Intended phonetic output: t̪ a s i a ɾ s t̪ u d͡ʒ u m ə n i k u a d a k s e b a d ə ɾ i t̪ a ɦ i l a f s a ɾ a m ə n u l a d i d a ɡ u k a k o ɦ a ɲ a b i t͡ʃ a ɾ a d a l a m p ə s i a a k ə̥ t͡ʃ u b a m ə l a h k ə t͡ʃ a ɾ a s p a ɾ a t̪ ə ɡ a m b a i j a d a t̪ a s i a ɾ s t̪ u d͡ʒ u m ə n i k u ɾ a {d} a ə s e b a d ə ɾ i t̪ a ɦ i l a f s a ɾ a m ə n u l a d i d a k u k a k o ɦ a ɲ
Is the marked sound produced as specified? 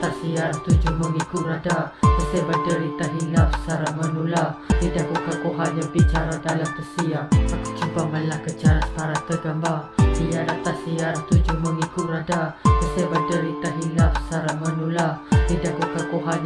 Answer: yes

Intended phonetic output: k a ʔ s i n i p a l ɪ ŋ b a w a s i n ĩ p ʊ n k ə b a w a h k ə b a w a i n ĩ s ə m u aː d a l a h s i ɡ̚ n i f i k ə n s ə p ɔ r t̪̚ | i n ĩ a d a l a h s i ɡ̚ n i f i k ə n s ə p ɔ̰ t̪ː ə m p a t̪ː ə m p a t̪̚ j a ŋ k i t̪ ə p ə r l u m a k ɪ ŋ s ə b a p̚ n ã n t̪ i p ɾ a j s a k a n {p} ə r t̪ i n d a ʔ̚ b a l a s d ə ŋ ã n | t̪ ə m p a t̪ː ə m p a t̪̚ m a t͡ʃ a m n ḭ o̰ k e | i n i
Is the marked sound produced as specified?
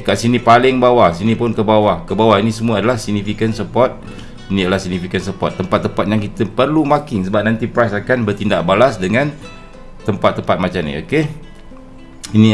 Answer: no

